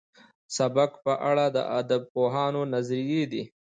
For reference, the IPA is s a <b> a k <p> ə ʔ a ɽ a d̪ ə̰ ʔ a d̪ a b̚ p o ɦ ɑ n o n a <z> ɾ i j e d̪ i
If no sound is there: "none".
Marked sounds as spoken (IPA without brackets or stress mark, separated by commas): b, p, z